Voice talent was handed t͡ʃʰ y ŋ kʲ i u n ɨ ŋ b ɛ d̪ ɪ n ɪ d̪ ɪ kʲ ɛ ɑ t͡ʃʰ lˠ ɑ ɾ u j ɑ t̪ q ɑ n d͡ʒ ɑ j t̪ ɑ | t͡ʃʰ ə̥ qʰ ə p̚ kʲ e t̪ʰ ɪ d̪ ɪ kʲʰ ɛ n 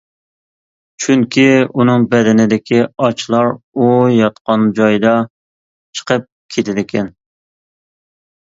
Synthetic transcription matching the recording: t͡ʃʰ y ŋ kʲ i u n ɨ ŋ b ɛ d̪ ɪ n ɪ d̪ ɪ kʲ i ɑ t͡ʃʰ lˠ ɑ ɾ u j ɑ t̪ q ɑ n d͡ʒ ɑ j d̪ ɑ | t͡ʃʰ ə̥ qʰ ə p̚ kʲʰ e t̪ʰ ɪ d̪ ɪ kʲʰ ɛ n